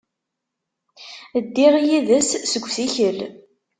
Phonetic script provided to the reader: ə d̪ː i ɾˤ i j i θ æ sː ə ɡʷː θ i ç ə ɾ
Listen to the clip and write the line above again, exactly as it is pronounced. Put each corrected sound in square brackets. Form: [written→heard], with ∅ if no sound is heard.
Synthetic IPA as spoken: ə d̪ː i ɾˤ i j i [θ→ð] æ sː ə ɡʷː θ i ç ə [ɾ→l]